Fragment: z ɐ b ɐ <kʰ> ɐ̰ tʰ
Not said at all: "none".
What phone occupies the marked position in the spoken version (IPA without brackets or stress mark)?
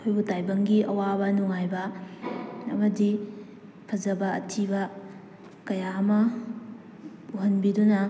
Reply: none